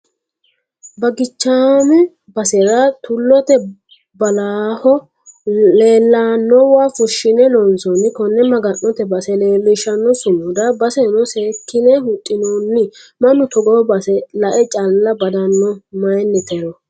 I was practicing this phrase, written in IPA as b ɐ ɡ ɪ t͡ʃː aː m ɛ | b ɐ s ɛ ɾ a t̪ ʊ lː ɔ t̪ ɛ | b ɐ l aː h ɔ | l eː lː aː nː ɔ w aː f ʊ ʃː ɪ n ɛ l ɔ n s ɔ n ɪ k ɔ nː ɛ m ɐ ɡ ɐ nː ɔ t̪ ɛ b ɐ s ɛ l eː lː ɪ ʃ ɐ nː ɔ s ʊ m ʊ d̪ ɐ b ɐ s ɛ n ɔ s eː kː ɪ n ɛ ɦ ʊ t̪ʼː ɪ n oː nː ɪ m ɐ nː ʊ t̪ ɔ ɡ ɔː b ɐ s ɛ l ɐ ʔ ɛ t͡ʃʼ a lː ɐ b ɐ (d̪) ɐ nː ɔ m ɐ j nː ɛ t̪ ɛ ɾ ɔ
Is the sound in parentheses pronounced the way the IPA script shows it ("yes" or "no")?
yes